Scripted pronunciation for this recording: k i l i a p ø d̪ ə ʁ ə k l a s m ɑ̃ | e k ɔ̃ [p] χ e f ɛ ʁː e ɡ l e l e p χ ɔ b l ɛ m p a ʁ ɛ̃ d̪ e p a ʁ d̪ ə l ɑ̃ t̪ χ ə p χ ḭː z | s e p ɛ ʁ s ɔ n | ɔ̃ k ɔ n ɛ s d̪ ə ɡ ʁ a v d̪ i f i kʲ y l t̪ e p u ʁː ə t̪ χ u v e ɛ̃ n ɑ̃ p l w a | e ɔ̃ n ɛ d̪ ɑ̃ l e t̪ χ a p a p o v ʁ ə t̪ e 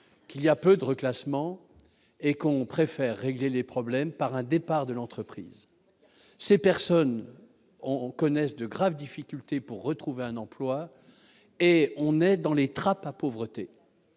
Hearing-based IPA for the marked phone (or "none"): p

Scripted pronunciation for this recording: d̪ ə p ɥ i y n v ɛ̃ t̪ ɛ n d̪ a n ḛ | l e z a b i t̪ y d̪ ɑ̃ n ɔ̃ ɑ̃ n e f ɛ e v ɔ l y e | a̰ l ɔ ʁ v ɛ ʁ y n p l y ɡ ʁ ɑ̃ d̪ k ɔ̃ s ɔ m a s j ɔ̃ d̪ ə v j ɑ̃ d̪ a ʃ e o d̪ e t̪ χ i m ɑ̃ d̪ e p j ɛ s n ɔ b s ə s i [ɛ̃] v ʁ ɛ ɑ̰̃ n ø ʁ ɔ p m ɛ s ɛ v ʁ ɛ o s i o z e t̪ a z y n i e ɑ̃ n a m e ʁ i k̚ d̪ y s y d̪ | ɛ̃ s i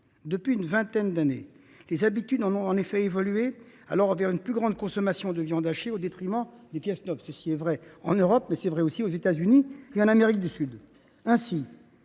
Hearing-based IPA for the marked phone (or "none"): ɛ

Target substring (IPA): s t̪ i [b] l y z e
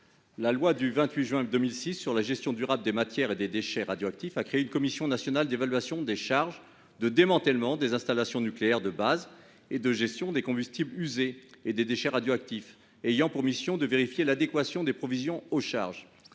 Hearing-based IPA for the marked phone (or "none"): b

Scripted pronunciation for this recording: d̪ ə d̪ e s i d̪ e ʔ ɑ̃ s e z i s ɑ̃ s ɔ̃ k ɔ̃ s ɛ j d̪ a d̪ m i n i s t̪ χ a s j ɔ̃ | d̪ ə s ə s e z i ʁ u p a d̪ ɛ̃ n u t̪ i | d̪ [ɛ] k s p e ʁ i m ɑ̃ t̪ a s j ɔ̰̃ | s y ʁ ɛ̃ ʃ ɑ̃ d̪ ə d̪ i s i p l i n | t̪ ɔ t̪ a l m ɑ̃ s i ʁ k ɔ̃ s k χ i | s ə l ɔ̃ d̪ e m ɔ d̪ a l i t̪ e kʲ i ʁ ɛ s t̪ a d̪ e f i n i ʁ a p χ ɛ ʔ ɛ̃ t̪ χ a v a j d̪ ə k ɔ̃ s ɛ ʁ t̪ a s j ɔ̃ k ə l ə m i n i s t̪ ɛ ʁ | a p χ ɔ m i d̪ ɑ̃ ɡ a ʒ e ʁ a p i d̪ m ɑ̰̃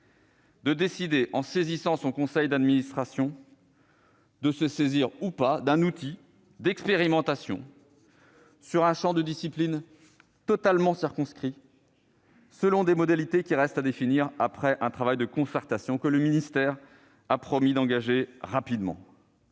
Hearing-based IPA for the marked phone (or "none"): ɛ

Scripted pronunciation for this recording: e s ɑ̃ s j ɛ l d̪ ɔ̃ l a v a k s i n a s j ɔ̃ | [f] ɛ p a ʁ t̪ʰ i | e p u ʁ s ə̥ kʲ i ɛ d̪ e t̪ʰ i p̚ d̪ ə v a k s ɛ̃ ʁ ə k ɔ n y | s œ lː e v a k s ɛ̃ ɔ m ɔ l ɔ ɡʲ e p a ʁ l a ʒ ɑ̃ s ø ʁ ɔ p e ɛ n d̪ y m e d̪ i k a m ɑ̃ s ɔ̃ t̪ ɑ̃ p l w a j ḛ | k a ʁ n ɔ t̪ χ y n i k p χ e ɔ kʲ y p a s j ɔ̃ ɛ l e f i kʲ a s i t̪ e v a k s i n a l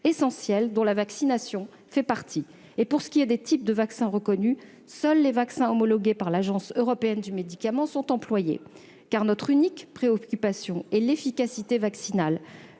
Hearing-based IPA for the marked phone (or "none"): f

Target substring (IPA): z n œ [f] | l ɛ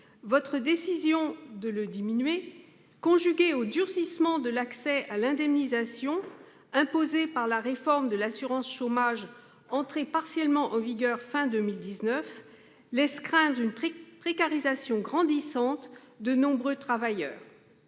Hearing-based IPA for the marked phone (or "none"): f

